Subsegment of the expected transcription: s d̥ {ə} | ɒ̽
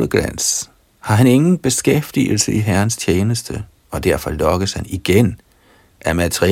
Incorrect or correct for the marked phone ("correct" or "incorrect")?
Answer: correct